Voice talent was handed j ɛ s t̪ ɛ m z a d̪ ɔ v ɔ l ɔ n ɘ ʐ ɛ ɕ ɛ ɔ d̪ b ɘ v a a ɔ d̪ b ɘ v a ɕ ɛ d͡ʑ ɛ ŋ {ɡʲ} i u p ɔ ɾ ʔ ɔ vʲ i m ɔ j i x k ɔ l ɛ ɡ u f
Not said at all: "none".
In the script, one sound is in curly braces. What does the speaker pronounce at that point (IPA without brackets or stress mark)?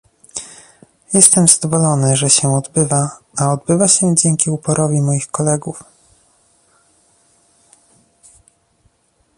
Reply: kʲ